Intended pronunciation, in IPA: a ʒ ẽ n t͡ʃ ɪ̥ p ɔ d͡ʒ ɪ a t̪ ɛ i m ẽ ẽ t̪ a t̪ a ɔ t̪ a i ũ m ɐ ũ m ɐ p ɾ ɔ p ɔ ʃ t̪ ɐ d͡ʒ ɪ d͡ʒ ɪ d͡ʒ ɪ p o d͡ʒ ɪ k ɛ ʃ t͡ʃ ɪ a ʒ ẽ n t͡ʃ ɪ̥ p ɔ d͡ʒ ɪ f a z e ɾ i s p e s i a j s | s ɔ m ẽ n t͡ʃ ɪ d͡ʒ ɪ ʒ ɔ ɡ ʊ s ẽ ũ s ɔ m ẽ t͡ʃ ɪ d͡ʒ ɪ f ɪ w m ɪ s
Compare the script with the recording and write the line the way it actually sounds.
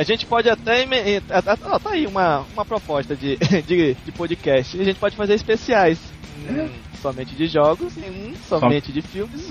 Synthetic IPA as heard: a ʒ ẽ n t͡ʃ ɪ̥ p ɔ d͡ʒ ɪ a t̪ ɛ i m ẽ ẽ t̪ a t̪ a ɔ t̪ a i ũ m ɐ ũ m ɐ p ɾ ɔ p ɔ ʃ t̪ ɐ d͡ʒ ɪ d͡ʒ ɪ d͡ʒ ɪ p o d͡ʒ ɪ k ɛ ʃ t͡ʃ ɪ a ʒ ẽ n t͡ʃ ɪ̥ p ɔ d͡ʒ ɪ f a z e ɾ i s p e s i a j s | s ɔ m ẽ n t͡ʃ ɪ d͡ʒ ɪ ʒ ɔ ɡ ʊ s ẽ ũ s ɔ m ẽ t͡ʃ ɪ d͡ʒ ɪ f i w m ɪ s